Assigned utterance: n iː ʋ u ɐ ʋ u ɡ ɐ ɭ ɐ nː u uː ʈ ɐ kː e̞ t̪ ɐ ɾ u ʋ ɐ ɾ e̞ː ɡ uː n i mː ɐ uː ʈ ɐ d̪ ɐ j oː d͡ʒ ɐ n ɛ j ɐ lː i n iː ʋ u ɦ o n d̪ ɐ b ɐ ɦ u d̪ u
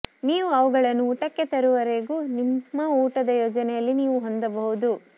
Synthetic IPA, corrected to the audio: n iː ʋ u ɐ ʋ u ɡ ɐ ɭ ɐ nː u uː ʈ ɐ kː e̞ t̪ ɐ ɾ u ʋ ɐ ɾ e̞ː ɡ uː n i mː ɐ uː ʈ ɐ d̪ ɐ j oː d͡ʒ ɐ n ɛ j ɐ lː i n iː ʋ u ɦ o n d̪ ɐ b ɐ ɦ u d̪ u